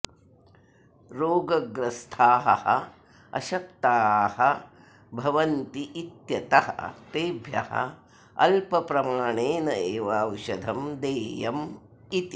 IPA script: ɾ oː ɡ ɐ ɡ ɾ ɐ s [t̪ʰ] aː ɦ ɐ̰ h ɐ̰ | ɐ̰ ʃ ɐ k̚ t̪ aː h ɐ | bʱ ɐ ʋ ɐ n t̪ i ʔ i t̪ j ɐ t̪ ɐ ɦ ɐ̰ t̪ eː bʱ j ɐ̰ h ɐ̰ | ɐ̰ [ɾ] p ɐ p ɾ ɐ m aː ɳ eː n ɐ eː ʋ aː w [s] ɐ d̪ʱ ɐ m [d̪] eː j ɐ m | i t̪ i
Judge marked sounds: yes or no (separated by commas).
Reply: yes, no, no, yes